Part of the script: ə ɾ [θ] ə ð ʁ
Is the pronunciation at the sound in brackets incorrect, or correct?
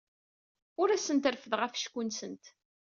incorrect: f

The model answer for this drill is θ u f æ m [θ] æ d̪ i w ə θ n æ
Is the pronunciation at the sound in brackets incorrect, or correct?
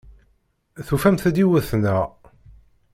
correct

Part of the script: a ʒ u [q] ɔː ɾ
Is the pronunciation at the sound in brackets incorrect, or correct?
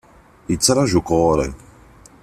incorrect: k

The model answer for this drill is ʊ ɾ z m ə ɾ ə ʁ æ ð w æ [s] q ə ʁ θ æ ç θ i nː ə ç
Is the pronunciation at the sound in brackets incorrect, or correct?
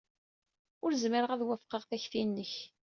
incorrect: f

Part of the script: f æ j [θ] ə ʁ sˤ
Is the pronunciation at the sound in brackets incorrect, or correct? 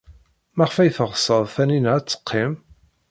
correct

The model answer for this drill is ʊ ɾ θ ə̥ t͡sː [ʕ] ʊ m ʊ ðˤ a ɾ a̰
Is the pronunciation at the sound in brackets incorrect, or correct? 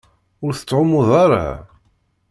correct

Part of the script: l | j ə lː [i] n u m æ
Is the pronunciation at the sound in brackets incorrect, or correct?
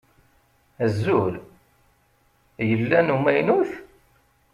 incorrect: æ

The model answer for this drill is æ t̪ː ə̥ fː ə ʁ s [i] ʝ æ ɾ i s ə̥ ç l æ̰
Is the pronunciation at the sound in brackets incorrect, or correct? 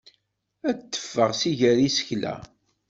correct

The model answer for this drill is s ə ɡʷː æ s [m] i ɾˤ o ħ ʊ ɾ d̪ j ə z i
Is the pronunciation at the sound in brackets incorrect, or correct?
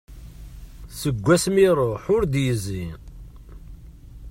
correct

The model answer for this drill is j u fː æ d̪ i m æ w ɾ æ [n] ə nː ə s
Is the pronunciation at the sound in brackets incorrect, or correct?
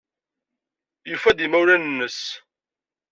correct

